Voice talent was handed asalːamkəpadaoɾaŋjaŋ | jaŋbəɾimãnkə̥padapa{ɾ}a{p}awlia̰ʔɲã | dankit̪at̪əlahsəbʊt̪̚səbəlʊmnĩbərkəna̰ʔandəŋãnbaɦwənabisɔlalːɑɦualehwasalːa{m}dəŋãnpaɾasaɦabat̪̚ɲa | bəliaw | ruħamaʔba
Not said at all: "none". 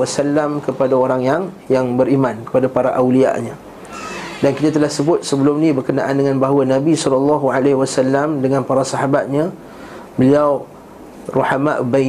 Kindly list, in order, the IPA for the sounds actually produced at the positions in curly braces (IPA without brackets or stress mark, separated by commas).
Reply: ɾ, ʔ, m